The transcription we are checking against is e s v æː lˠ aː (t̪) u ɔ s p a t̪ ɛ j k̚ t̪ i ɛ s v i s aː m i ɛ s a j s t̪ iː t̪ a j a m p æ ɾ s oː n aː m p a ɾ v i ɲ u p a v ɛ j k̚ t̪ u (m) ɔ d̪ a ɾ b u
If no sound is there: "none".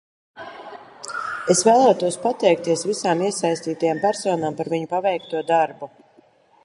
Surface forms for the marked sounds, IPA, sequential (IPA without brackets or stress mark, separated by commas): t̪, none